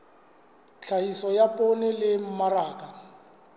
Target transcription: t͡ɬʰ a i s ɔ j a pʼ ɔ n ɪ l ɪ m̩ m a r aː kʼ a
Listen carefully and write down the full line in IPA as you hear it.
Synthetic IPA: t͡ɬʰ a i s ɔ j a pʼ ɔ n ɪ l ɪ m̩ m a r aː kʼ a